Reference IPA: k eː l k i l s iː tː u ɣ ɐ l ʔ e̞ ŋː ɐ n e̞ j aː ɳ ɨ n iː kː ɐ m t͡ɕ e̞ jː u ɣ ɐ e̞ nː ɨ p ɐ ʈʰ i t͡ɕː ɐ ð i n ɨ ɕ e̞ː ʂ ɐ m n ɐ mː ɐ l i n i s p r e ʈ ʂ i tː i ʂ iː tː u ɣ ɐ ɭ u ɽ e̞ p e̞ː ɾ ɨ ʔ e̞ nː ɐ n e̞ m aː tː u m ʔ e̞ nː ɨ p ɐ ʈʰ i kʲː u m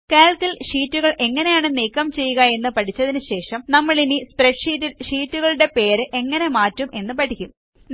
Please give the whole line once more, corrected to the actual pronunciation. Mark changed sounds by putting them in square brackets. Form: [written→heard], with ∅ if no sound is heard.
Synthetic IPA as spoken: k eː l k i l [s→ʂ] iː tː u ɣ ɐ [l→ɭ] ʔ e̞ ŋː ɐ n e̞ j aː ɳ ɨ n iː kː ɐ m t͡ɕ e̞ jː u ɣ ɐ e̞ nː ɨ p ɐ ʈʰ i t͡ɕː ɐ ð i n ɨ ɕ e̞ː ʂ ɐ m n ɐ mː ɐ [l→ɭ] i n i s p r e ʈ ʂ i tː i ʂ iː tː u ɣ ɐ ɭ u ɽ e̞ p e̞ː ɾ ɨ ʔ e̞ [nː→ŋː] ɐ n e̞ m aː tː u m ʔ e̞ nː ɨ p ɐ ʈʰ i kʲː u m